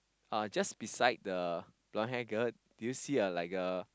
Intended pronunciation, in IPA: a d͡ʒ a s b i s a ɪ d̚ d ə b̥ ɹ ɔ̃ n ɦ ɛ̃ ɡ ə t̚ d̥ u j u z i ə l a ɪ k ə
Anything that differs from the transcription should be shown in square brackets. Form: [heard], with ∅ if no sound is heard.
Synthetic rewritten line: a d͡ʒ a s b i s a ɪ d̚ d ə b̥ [l] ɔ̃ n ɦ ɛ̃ ɡ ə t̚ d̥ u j u [s] i ə l a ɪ k ə